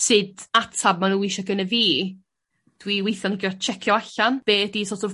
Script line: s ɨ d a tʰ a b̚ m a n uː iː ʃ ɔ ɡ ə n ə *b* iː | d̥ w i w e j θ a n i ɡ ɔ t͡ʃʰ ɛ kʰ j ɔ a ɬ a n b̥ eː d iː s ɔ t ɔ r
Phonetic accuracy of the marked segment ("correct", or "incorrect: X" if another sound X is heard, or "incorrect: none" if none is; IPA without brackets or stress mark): incorrect: v